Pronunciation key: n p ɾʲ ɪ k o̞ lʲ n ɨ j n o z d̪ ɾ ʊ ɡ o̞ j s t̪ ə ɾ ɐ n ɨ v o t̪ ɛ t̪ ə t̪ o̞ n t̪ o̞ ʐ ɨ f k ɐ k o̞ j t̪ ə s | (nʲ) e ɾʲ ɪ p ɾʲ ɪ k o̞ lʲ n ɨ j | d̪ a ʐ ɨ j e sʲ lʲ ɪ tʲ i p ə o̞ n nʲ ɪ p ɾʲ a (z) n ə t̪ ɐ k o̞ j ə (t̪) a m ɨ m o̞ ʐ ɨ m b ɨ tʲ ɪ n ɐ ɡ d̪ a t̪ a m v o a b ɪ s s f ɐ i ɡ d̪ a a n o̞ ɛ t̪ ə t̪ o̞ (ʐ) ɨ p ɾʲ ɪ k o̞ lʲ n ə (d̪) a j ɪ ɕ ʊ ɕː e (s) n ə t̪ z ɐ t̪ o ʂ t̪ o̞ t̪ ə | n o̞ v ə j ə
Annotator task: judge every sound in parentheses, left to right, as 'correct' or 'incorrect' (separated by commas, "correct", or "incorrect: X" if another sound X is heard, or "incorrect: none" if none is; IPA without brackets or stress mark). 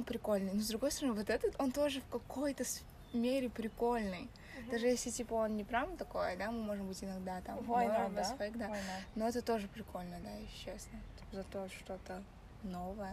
incorrect: mʲ, incorrect: v, incorrect: d̪, correct, correct, correct